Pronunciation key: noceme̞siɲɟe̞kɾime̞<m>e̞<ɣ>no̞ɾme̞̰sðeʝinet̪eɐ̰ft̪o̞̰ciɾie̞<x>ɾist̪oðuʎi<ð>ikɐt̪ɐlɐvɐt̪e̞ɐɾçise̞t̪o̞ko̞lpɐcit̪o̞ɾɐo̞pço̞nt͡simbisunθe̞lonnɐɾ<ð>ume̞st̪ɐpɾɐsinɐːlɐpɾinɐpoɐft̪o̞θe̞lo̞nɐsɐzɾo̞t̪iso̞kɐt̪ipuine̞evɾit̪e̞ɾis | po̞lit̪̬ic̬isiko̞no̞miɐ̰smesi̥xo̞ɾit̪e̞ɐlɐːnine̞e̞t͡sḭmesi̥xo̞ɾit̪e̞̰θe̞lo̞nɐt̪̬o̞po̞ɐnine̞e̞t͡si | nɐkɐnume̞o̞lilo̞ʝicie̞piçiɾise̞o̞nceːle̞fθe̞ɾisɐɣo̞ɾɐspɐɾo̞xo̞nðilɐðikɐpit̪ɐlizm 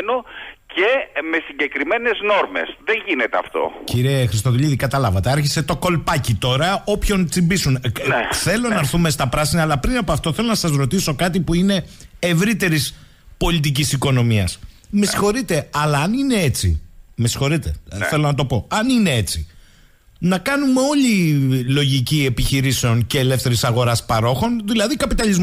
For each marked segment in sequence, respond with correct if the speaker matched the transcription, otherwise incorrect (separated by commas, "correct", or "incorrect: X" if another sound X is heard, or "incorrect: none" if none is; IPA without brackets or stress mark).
incorrect: n, incorrect: z, correct, correct, incorrect: θ